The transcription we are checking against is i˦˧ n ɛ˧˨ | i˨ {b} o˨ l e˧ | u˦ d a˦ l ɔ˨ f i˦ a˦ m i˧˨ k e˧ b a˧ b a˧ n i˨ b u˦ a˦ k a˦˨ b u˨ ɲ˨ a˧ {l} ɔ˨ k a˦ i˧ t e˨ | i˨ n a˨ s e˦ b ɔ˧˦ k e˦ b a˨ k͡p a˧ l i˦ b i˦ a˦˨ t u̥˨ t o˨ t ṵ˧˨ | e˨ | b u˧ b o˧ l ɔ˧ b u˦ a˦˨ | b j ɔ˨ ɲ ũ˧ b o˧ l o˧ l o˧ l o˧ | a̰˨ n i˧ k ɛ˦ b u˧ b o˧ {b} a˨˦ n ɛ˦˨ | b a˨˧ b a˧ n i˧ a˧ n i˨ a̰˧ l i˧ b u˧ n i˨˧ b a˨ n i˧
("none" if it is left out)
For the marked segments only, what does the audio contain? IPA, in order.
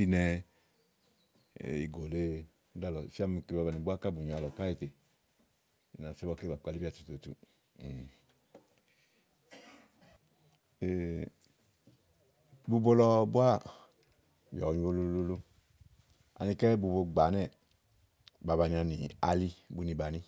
ɡ, l, ɡ͡b

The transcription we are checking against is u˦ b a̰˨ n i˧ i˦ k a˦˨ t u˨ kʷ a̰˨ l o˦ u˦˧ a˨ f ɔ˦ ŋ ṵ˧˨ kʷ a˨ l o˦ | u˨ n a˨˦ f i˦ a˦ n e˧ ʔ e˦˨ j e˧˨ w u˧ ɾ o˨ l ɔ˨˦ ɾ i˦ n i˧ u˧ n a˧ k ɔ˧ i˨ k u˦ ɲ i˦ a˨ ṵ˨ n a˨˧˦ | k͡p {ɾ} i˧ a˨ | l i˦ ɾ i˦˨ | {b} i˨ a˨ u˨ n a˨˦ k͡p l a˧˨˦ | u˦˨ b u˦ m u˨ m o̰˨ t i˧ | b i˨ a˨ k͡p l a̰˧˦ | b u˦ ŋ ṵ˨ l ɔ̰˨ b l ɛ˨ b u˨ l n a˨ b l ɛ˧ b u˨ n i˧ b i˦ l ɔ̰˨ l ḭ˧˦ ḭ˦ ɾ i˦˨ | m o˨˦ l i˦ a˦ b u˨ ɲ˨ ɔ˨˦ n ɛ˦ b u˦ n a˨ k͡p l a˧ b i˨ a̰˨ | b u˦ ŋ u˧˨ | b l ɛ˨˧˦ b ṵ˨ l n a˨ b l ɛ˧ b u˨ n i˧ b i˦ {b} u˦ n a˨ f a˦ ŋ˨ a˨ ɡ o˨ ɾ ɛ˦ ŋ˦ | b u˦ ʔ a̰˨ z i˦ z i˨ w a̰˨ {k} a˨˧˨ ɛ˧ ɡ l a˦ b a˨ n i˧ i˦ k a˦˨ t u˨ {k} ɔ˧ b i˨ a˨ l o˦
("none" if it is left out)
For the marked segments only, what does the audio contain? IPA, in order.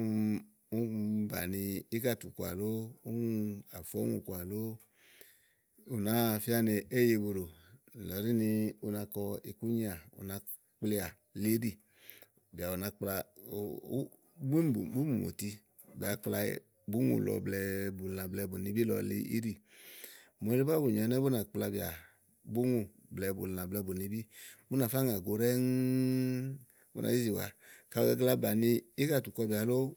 l, b, b, k, k

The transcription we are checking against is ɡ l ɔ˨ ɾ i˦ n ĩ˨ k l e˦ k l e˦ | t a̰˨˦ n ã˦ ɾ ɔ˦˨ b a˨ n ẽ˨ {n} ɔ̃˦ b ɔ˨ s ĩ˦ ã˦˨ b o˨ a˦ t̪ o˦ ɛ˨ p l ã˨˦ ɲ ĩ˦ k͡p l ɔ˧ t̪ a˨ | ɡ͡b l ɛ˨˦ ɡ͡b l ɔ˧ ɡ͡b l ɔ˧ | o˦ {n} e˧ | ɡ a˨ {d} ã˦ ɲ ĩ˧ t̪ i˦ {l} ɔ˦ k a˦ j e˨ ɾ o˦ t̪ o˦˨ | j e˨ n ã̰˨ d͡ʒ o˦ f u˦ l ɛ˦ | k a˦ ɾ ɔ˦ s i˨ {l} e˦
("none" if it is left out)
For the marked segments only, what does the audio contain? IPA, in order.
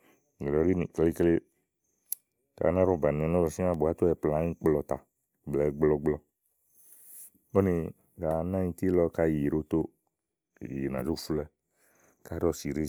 n, n, n, l, ɾ

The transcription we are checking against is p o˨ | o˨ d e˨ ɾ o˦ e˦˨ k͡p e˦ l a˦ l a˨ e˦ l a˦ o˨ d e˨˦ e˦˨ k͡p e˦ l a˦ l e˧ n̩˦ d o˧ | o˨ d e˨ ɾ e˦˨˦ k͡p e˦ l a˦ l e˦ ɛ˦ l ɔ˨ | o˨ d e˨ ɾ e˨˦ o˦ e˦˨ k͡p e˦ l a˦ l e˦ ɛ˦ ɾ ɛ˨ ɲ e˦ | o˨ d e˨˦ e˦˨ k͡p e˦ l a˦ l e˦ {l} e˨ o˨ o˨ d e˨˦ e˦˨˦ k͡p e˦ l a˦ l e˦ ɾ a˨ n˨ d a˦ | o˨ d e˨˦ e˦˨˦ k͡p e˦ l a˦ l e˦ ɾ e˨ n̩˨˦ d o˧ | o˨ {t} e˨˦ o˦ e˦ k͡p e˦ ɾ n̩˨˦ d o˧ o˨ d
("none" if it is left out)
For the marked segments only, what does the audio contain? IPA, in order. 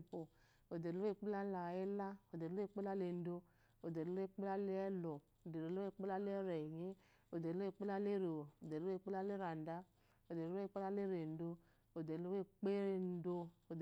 ɾ, d

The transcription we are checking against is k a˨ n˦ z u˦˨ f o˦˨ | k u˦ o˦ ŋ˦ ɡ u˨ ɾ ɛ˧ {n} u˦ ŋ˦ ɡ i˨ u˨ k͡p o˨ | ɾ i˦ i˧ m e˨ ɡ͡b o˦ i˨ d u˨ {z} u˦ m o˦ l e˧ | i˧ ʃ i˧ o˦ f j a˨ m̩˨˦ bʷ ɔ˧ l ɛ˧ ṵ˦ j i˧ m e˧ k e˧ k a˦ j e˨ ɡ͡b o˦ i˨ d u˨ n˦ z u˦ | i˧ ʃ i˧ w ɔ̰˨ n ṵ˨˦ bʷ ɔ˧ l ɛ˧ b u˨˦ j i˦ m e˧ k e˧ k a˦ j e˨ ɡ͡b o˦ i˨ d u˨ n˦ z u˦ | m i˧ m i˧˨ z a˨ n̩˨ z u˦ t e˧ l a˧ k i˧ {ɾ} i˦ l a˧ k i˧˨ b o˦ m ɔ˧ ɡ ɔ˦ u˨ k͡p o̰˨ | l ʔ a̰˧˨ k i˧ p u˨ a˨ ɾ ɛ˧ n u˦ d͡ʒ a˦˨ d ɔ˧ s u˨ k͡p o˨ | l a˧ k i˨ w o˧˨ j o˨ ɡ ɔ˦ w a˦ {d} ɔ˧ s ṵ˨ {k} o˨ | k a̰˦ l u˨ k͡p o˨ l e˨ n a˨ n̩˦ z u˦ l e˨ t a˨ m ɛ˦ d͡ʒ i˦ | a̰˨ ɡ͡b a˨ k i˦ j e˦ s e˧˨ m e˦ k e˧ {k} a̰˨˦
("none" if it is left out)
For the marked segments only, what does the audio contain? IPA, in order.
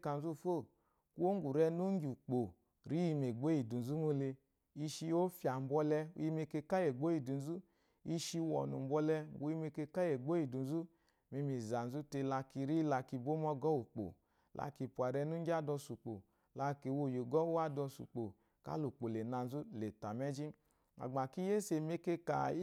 n, z, ɾ, d, k͡p, k

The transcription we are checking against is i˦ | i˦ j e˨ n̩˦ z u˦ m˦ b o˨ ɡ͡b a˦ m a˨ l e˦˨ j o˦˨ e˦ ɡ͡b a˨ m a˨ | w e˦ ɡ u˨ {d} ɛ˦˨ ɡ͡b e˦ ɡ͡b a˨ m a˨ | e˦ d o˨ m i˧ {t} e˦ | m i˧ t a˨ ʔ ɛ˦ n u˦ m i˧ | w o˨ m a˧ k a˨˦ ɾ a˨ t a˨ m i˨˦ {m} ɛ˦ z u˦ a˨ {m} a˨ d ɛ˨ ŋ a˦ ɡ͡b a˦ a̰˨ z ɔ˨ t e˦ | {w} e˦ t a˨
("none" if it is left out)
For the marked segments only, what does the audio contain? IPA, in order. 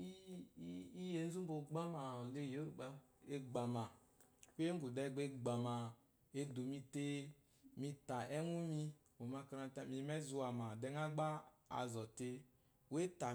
d, t, m, m, w

